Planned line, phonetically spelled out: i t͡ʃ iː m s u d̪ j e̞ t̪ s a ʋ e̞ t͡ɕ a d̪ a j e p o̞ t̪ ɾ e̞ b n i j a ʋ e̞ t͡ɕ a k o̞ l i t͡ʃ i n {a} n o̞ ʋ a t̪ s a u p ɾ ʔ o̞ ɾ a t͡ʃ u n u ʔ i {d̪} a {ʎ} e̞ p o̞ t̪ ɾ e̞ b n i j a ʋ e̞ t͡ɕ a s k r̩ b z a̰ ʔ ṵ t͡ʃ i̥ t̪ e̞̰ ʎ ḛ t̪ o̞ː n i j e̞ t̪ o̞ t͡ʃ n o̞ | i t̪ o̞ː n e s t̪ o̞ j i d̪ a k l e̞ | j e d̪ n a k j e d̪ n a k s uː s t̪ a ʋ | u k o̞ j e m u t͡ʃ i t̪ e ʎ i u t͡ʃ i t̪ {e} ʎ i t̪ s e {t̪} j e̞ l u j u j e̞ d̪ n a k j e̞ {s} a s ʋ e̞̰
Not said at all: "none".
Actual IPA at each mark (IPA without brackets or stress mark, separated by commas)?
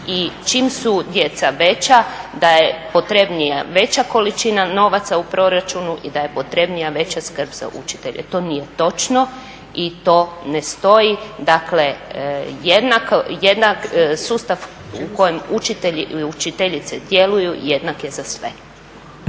a, d̪, j, e, d̪, z